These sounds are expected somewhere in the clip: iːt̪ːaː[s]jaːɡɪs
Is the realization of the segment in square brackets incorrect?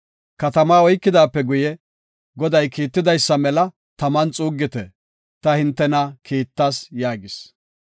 no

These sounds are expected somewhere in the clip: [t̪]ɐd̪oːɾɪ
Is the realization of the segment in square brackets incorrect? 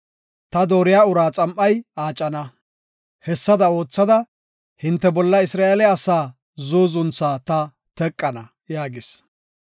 no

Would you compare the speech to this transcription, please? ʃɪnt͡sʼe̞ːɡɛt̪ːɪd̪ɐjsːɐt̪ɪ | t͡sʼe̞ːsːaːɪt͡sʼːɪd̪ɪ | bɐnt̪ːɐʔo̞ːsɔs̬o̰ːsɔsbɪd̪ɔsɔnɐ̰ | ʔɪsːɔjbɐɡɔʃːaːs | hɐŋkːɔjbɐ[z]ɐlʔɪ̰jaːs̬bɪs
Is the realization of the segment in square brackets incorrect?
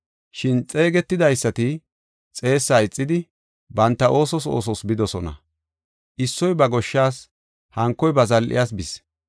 no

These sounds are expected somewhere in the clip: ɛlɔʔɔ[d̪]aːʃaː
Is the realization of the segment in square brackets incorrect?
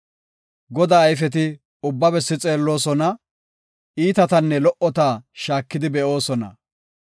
yes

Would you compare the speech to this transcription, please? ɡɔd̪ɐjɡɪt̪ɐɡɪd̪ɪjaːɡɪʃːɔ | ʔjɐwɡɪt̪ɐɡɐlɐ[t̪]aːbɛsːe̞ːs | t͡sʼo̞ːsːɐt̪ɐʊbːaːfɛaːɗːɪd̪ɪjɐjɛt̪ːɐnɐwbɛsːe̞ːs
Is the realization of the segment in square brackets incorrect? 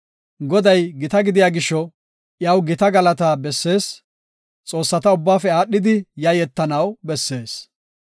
no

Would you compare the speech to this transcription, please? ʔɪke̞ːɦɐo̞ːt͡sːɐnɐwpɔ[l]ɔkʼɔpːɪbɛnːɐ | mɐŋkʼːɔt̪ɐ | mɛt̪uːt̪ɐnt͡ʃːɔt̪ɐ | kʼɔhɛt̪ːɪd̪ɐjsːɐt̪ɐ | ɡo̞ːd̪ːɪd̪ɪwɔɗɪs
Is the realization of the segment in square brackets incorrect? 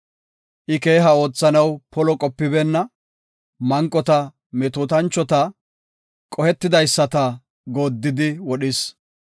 no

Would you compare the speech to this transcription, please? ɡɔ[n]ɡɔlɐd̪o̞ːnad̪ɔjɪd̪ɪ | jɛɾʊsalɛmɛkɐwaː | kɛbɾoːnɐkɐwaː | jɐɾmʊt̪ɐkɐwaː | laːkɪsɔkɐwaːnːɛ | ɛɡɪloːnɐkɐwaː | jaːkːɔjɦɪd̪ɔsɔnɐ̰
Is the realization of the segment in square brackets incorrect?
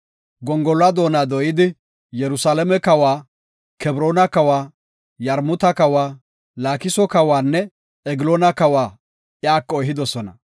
yes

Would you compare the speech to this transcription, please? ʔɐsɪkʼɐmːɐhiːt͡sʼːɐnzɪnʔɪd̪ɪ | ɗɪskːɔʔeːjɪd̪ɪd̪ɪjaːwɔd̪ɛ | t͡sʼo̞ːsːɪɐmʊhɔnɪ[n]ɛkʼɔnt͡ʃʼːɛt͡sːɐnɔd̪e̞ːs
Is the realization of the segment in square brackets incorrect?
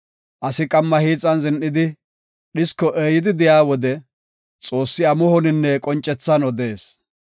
yes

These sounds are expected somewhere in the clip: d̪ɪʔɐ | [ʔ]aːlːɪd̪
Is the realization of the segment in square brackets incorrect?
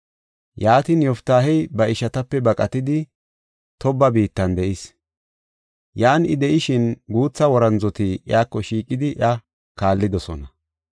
yes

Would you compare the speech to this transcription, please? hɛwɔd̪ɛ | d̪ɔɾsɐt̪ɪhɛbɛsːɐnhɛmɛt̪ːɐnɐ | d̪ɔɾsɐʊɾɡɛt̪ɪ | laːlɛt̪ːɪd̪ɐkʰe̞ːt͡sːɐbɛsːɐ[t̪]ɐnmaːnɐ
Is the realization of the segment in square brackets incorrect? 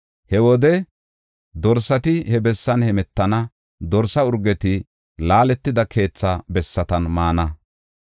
no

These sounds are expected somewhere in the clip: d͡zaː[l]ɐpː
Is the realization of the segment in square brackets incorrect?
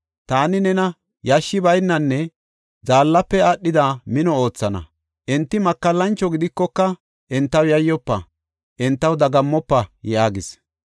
yes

